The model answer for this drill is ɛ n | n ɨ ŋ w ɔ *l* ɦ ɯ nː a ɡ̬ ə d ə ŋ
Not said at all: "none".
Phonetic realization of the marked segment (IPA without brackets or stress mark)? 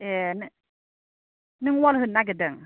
l